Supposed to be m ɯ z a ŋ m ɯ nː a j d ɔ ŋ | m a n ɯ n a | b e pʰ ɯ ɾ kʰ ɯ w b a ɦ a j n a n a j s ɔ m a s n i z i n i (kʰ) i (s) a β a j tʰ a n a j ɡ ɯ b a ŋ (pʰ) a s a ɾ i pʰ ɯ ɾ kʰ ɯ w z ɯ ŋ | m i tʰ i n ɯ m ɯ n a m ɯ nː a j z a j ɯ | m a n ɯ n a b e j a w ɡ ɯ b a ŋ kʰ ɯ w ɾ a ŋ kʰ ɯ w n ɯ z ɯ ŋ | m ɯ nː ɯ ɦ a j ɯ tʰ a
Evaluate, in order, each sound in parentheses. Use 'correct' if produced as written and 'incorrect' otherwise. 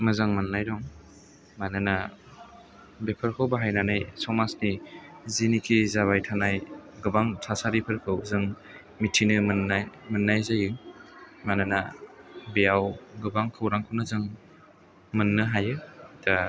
correct, incorrect: z, incorrect: tʰ

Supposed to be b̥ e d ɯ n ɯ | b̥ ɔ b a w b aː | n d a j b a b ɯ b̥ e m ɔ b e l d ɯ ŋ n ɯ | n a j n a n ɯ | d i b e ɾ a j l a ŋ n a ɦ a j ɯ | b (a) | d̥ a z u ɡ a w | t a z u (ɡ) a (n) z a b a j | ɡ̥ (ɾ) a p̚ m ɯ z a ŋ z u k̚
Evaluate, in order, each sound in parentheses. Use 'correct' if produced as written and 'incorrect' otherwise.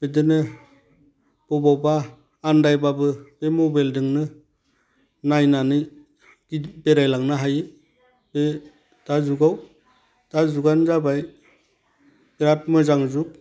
incorrect: e, correct, correct, correct

